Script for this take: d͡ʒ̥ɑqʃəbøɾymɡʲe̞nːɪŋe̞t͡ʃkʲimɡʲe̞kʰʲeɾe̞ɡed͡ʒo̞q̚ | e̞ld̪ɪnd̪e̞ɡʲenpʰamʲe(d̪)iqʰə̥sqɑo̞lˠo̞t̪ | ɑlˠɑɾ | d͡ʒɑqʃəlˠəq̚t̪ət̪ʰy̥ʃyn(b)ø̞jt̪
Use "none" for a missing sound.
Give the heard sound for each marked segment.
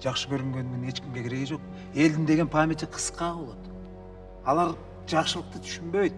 t̪, b

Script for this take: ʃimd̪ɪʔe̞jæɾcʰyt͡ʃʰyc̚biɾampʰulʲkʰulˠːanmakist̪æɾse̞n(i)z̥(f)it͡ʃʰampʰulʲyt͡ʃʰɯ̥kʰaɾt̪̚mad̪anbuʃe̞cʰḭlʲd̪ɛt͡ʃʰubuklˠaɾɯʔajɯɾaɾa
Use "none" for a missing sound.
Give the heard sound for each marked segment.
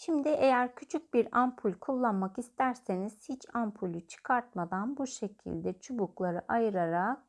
i, h

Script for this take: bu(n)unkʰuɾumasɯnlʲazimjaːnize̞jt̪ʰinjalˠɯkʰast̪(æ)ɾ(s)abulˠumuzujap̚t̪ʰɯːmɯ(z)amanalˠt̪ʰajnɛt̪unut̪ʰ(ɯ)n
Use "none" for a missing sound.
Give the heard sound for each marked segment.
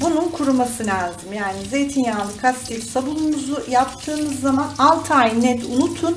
n, i, s, zː, u

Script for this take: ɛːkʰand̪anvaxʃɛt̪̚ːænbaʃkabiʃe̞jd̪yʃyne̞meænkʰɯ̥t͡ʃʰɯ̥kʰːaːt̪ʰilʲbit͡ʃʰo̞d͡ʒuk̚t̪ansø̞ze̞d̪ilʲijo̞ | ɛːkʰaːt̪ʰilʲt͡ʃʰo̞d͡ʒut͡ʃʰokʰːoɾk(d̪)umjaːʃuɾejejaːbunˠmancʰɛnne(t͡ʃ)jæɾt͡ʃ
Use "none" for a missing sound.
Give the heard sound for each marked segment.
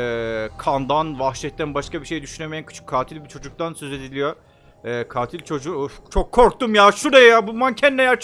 t̪, none

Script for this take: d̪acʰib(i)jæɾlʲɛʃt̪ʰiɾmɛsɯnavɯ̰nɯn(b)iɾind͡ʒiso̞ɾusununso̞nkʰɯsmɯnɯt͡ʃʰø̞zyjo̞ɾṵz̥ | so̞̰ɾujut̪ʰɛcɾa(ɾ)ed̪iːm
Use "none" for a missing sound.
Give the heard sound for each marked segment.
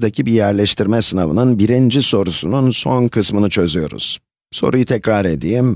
i, b, ɾ

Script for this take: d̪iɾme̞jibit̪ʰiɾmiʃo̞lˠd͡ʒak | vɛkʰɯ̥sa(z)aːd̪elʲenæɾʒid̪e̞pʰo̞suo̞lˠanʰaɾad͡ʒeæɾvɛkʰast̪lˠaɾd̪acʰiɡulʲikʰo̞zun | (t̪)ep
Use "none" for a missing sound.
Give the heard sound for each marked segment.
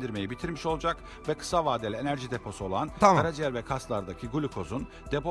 v, d̪

